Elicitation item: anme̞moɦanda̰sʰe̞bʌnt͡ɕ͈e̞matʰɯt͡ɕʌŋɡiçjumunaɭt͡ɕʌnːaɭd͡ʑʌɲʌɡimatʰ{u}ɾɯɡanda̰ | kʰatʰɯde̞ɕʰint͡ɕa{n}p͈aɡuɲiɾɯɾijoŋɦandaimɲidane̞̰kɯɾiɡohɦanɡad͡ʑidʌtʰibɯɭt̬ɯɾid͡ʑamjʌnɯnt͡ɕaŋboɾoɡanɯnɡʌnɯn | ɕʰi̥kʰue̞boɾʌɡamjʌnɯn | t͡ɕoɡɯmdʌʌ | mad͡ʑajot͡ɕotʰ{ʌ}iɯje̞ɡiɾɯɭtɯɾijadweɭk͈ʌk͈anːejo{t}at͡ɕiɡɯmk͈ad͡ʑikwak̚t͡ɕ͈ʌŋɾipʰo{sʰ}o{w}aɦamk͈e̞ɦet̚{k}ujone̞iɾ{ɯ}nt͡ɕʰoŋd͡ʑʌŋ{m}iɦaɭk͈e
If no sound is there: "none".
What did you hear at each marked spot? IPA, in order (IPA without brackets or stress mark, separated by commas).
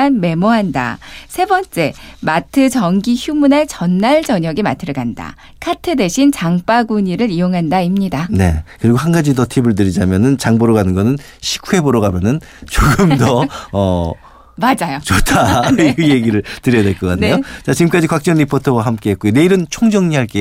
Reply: ɯ, ŋ, a, t͡ɕ, tʰ, w, k, ɯ, ɲ